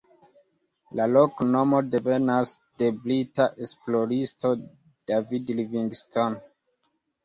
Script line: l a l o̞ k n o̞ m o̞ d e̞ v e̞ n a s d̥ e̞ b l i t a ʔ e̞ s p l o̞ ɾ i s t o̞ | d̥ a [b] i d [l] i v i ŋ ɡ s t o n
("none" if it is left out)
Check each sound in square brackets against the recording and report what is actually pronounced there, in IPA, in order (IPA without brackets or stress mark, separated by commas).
v, l